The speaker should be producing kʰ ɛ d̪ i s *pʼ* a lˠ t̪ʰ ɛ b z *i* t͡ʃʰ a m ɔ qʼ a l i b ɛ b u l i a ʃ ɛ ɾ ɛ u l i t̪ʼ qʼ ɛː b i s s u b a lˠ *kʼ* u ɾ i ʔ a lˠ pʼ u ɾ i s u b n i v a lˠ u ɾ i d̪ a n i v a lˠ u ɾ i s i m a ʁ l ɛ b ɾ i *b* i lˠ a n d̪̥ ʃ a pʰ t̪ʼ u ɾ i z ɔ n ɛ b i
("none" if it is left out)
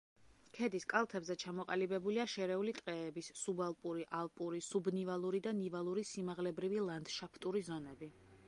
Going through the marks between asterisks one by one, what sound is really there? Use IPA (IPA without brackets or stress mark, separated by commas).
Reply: kʼ, ɛ, pʼ, v